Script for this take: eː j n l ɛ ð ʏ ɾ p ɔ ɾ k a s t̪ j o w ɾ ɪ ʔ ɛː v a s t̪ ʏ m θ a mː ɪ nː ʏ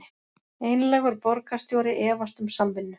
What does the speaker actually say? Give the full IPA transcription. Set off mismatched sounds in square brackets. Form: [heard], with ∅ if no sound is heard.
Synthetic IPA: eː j n l ɛ [ɣ] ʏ ɾ p ɔ ɾ k a s t̪ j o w ɾ ɪ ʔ ɛː v a s t̪ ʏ m [s] a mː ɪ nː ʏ

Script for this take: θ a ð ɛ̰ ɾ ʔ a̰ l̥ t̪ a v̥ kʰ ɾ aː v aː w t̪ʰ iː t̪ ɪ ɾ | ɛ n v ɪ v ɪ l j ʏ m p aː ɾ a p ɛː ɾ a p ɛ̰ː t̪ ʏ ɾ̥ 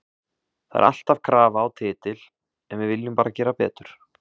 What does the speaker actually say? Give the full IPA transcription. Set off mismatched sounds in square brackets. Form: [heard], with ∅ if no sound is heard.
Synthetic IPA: θ a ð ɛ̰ ɾ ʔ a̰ l̥ t̪ a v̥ kʰ ɾ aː v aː w t̪ʰ [ɪː] t̪ ɪ [l] | ɛ n v ɪ v ɪ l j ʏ m p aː ɾ a [c] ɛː ɾ a p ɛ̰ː t̪ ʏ ɾ̥

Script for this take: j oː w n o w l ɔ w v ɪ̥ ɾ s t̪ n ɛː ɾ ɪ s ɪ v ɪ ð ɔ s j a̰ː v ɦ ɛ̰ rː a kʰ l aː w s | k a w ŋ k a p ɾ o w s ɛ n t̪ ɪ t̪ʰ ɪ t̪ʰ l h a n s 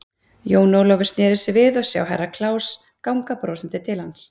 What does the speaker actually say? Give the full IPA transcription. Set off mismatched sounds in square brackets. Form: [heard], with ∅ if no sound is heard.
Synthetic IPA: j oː w n o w l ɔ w v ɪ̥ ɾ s t̪ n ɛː ɾ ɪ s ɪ v ɪ ð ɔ s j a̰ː [w] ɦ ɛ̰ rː a kʰ l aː w s | k a w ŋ k a p ɾ o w s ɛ n t̪ ɪ t̪ʰ ɪ [∅] l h a n s

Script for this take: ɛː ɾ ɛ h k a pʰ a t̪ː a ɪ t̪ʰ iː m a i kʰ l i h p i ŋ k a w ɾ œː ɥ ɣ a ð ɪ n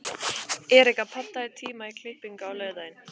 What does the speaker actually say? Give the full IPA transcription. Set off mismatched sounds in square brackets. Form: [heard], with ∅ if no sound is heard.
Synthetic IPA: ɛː ɾ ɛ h k a pʰ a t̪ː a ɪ t̪ʰ iː m a i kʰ l [ɪ] h p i ŋ k a w [l] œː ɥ [ð] a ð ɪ n

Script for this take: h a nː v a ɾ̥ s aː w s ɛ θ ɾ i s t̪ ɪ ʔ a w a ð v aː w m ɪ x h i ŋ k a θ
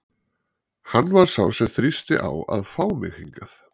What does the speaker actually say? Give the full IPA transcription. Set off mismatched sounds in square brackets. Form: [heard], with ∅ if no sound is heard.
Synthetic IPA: h a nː v a ɾ̥ s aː w s ɛ θ ɾ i s t̪ ɪ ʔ a w a ð [f] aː w m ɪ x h i ŋ k a θ

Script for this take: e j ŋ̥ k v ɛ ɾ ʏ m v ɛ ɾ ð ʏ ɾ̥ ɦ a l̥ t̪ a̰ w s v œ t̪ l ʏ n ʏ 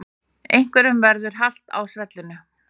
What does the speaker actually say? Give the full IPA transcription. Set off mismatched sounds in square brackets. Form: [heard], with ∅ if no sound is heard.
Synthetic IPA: e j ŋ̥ k v ɛ ɾ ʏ m v ɛ ɾ ð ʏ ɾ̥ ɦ a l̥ t̪ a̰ w s v [ɛ] t̪ l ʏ n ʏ

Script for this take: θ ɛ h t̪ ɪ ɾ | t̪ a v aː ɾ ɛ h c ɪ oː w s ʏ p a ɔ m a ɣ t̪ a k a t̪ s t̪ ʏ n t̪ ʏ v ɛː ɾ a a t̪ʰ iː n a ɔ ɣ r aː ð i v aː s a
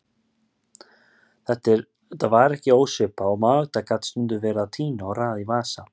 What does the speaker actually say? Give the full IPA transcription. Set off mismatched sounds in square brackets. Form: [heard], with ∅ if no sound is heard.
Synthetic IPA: θ ɛ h t̪ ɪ ɾ | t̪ a v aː ɾ ɛ h c ɪ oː w s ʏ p a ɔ m a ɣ t̪ a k a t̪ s t̪ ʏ n t̪ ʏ v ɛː ɾ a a t̪ʰ iː n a ɔ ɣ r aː ð i v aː s a

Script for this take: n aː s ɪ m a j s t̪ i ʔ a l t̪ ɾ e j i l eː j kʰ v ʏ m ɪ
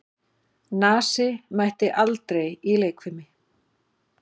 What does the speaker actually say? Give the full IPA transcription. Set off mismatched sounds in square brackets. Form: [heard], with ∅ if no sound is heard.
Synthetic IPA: n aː s ɪ m a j [h] t̪ [ɪ] ʔ a l t̪ ɾ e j i l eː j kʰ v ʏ m ɪ

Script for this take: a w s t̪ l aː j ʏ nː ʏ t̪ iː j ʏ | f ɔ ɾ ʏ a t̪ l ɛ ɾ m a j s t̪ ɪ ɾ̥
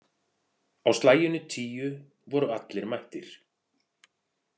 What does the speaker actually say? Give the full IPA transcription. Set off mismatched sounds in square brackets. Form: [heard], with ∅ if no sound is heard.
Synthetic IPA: a w s t̪ l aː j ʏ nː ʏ [t̪ʰ] iː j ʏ | [v] ɔ ɾ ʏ a t̪ l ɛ ɾ m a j [h] t̪ ɪ ɾ̥

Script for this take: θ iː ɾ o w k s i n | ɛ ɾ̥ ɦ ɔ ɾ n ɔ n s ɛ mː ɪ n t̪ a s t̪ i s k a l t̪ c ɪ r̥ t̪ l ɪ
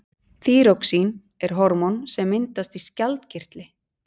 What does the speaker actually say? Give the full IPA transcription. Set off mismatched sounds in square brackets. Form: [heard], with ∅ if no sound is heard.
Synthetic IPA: θ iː ɾ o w k s i n | ɛ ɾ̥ ɦ ɔ ɾ [m] ɔ n s ɛ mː ɪ n t̪ a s t̪ i s [c] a l t̪ c ɪ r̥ t̪ l ɪ

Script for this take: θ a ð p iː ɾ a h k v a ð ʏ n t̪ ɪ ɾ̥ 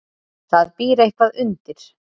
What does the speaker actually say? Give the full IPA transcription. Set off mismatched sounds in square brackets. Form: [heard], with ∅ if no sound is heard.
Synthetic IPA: θ a ð p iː ɾ [e] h k v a ð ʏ n t̪ ɪ ɾ̥

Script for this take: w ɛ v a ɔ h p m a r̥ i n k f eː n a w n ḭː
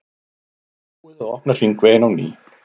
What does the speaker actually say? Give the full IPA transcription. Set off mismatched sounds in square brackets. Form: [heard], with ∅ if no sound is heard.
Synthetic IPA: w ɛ [ð] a ɔ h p [n] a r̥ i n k [v] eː n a w n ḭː

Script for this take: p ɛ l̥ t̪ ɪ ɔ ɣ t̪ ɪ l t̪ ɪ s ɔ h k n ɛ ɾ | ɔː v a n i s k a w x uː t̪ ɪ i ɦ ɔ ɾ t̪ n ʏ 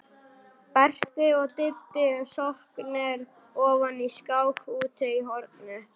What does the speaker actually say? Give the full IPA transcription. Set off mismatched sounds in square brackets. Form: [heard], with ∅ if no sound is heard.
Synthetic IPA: p ɛ [r̥] t̪ ɪ ɔ ɣ t̪ ɪ l t̪ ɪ s ɔ h k n ɛ ɾ | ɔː v a n i s k a w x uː t̪ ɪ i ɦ ɔ ɾ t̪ n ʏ

